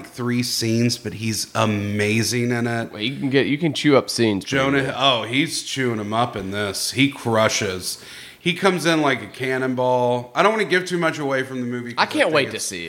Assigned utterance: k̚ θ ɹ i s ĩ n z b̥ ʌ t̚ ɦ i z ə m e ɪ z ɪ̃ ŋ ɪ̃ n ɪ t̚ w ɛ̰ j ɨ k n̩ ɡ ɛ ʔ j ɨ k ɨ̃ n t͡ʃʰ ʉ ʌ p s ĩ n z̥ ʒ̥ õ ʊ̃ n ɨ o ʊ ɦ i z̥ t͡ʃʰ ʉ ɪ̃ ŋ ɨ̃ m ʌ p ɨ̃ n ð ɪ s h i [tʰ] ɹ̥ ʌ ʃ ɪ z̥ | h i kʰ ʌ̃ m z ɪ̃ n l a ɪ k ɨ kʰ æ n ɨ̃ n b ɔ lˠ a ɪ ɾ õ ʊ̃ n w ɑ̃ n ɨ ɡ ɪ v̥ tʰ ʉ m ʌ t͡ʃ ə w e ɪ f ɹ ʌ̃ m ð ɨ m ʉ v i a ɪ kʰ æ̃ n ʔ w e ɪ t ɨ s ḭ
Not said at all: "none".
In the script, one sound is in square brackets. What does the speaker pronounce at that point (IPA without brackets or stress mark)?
kʰ